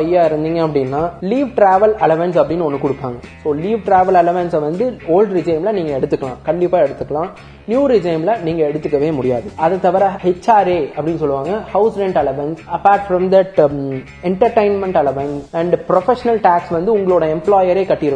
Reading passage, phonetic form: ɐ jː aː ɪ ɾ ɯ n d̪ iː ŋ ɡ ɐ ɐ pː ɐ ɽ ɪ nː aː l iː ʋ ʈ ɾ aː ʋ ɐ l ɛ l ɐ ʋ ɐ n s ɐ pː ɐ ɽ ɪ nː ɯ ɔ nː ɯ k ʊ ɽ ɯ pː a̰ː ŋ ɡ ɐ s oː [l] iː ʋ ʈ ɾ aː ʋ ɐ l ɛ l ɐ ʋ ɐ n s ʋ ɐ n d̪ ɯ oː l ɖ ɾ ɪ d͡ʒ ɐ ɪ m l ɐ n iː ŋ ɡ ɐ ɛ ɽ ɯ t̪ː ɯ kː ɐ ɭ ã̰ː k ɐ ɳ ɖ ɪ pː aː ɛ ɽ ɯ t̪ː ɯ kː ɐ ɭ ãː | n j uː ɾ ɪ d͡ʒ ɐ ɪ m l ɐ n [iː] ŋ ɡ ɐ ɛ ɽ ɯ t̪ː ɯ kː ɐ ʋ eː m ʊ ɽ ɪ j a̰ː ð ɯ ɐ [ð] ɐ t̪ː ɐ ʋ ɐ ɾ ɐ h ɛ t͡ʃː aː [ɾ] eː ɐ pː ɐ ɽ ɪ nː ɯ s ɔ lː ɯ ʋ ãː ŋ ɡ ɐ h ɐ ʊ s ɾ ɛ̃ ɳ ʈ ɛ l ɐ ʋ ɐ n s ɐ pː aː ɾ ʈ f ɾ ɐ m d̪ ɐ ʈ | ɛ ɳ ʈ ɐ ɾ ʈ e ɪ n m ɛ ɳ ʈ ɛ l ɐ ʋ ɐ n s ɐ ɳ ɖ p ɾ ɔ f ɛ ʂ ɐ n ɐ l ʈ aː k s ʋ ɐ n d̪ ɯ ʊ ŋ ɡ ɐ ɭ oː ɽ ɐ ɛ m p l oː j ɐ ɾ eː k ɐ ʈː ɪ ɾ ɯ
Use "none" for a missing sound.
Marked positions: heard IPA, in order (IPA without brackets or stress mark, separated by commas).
l, iː, ð, ɾ